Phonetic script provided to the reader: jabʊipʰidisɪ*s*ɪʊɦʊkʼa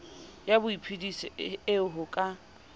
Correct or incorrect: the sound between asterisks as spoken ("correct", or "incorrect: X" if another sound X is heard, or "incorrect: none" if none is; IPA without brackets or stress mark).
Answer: incorrect: none